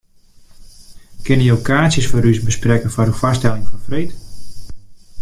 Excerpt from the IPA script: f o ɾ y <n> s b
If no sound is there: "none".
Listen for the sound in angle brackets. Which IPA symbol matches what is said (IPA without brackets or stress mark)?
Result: none